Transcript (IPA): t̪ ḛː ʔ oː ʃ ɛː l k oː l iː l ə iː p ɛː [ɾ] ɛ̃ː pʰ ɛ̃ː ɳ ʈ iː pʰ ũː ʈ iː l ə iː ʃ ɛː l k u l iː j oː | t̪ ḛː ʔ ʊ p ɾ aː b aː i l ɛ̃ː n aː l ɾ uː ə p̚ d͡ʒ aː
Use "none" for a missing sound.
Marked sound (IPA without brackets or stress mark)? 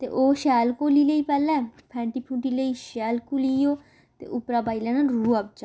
l